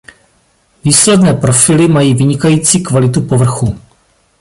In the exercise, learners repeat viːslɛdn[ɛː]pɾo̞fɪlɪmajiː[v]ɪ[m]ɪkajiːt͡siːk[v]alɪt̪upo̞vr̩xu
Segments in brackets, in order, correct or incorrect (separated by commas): correct, correct, incorrect, correct